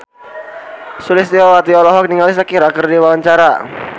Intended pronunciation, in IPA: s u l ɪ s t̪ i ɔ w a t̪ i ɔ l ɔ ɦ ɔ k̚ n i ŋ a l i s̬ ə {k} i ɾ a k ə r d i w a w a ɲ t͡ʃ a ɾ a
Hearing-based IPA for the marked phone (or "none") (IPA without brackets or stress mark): k